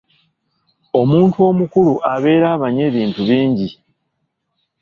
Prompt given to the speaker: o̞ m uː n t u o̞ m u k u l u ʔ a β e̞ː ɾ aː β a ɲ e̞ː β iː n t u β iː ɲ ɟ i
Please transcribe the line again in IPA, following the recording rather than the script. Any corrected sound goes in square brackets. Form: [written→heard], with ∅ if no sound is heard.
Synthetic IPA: o̞ m uː n t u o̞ m u k u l u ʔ a β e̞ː ɾ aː β a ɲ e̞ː β iː n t u β iː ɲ ɟ i